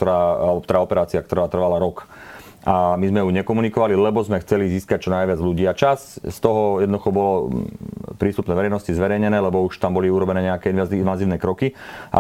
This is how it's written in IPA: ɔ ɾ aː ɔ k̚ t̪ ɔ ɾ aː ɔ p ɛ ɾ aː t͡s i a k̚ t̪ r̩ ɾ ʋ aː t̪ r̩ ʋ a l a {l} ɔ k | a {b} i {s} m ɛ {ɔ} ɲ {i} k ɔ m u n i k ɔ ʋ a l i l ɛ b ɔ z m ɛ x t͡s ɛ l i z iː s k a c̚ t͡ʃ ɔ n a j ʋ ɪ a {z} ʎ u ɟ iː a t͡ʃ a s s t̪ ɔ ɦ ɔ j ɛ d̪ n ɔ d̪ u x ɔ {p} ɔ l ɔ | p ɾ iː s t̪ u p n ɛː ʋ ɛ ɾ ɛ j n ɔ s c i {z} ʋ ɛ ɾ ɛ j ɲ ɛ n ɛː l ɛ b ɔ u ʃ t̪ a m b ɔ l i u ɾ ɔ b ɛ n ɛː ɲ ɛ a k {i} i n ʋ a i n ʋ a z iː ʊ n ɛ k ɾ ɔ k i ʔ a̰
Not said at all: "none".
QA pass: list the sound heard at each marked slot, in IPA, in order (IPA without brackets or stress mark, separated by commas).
ɾ, m, z, u, ɛ, d͡z, b, z, ɛ